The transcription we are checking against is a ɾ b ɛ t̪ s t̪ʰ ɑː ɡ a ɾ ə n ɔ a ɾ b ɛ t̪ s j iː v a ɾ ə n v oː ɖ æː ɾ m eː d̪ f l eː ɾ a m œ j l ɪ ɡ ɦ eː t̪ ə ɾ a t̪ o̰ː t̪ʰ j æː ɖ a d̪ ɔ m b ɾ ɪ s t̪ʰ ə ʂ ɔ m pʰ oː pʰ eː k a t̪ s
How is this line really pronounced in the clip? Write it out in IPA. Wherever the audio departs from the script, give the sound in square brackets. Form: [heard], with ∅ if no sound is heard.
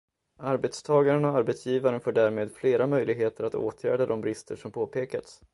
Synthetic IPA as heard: a ɾ b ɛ t̪ s t̪ʰ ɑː ɡ a ɾ ə n ɔ a ɾ b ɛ t̪ s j iː v a ɾ ə n [f] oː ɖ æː ɾ m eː d̪ f l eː ɾ a m œ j l ɪ ɡ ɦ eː t̪ ə ɾ a t̪ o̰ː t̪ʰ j æː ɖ a d̪ ɔ m b ɾ ɪ s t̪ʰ ə ʂ ɔ m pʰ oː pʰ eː k a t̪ s